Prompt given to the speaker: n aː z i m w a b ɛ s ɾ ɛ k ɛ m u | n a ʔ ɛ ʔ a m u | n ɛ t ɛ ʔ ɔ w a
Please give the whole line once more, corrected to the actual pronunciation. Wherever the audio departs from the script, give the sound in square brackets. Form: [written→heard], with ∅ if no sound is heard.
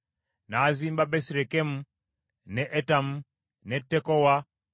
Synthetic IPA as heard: n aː z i m [w→b] a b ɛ s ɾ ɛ k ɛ m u | n [a→ɛ] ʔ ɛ [ʔ→t] a m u | n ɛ t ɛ [ʔ→k] ɔ w a